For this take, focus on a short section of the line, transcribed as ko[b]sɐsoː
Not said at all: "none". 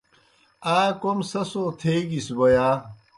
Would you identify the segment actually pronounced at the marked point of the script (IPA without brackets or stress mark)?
m